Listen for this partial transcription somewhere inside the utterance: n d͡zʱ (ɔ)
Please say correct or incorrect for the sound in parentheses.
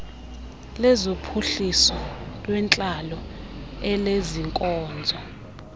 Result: correct